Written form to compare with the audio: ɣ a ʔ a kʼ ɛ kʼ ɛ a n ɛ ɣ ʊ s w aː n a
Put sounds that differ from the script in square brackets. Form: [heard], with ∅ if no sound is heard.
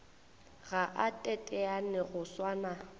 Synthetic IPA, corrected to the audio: ɣ a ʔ a [tʼ] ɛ [tʼ] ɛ a n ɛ ɣ ʊ s w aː n a